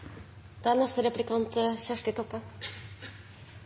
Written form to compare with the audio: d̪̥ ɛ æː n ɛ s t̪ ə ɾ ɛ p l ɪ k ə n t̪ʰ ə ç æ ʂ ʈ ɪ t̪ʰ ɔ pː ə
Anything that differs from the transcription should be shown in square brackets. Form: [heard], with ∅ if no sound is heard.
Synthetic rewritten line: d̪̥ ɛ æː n ɛ s t̪ ə ɾ ɛ p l ɪ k [ɑ] n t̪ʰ ə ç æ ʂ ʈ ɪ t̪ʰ ɔ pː ə

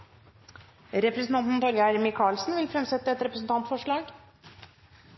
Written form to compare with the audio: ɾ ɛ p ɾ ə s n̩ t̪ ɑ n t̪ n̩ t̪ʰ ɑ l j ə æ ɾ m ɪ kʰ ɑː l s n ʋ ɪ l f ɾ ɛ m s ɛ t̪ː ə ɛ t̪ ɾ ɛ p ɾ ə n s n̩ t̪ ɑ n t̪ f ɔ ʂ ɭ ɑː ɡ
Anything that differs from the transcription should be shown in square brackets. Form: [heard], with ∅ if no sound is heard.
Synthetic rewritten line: ɾ ɛ p ɾ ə s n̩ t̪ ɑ n t̪ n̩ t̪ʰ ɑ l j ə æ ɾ m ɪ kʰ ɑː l s n ʋ ɪ l f ɾ ɛ m s ɛ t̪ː ə ɛ t̪ ɾ ɛ p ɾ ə [∅] s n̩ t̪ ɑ n t̪ f ɔ ʂ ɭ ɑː ɡ

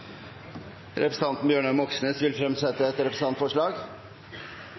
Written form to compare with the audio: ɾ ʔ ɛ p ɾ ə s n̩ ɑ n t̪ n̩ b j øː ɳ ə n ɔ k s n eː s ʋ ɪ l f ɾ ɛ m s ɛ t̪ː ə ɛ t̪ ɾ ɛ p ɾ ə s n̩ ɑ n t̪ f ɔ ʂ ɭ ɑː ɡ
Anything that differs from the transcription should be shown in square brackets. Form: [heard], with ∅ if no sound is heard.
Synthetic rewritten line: ɾ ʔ ɛ p ɾ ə s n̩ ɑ n t̪ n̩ b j øː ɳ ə [m] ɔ k s n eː s ʋ ɪ l f ɾ ɛ m s ɛ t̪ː ə ɛ t̪ ɾ ɛ p ɾ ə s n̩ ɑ n t̪ f ɔ ʂ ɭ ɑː ɡ

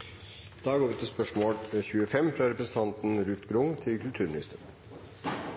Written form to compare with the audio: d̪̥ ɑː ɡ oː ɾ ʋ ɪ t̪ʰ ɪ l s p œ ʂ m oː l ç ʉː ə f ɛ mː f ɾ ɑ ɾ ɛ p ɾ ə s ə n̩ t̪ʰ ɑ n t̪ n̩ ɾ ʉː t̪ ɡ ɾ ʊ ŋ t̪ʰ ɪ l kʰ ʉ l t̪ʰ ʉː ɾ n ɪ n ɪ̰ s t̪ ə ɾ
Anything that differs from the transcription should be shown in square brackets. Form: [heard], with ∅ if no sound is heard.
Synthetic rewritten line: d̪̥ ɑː ɡ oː ɾ ʋ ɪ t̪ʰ ɪ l s p œ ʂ m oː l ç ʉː ə f ɛ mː f ɾ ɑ ɾ ɛ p ɾ ə s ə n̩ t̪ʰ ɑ n t̪ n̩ ɾ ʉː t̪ ɡ ɾ ʊ ŋ t̪ʰ ɪ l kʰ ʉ l t̪ʰ ʉː ɾ [m] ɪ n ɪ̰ s t̪ ə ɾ

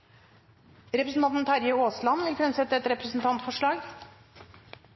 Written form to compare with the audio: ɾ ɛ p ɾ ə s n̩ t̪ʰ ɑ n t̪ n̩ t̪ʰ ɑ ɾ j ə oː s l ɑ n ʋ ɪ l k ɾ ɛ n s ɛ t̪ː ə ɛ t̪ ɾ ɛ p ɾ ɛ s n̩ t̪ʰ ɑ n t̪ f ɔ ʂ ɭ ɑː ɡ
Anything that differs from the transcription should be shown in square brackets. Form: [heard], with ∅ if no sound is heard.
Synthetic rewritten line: ɾ ɛ p ɾ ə s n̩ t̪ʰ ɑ n t̪ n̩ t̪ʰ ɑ ɾ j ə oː s l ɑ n ʋ ɪ l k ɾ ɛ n s ɛ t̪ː ə ɛ t̪ ɾ ɛ p ɾ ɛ s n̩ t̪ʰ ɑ n t̪ f ɔ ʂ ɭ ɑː ɡ

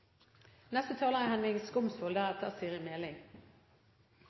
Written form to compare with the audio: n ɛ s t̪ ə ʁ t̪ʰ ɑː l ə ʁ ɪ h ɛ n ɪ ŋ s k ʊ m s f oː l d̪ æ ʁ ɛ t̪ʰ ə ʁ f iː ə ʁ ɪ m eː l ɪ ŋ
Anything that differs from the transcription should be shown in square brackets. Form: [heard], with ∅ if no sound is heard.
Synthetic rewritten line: n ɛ s t̪ ə [∅] t̪ʰ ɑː l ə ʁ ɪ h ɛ n ɪ ŋ s k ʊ m s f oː l d̪ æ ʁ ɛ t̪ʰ ə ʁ [s] iː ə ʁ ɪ m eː l ɪ ŋ

